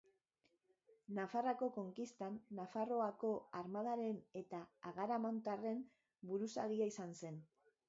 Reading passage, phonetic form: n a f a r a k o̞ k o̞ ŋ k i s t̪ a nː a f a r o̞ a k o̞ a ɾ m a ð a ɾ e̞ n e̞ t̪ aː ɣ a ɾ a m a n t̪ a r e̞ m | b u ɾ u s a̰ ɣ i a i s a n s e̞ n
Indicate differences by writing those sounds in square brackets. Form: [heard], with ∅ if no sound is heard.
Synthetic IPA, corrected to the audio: n a f a r a k o̞ k o̞ ŋ k i s t̪ a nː a f a r o̞ a k o̞ a ɾ m a ð a ɾ e̞ n e̞ t̪ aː ɣ a ɾ a m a n t̪ a r e̞ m | b u ɾ u s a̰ ɣ i a i s a n s e̞ n